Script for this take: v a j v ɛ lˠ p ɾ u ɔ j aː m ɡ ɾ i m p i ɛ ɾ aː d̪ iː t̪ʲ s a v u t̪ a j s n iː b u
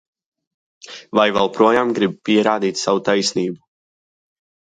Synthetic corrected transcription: v a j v ɛ lˠ p ɾ u ɔ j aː m ɡ ɾ i b p i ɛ ɾ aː d̪ iː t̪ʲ s a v u t̪ a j s n iː b u